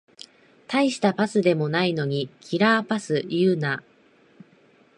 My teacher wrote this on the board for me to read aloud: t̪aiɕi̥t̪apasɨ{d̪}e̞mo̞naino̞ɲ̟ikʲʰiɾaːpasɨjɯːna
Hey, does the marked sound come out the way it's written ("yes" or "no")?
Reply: yes